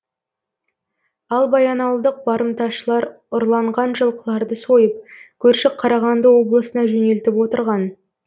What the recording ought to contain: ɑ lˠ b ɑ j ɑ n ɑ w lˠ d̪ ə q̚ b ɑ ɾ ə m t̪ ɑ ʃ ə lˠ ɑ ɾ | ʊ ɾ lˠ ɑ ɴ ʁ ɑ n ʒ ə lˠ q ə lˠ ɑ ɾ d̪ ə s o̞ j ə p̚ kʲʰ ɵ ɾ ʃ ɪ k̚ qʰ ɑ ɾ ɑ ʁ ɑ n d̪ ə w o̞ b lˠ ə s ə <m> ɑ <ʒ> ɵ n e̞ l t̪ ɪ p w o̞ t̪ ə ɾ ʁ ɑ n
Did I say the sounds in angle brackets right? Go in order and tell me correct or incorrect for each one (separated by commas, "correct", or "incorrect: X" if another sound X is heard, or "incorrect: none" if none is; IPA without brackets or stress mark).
incorrect: n, correct